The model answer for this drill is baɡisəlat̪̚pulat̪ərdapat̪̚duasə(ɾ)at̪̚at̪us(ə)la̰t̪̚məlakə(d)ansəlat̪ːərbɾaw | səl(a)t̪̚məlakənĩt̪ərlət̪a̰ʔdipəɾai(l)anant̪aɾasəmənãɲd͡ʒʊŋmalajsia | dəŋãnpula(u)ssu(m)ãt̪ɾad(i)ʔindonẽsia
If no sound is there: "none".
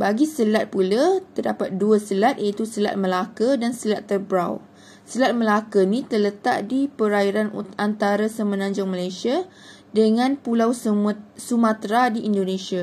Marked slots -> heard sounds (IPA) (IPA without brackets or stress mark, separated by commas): l, ə, d, a, ɾ, w, m, i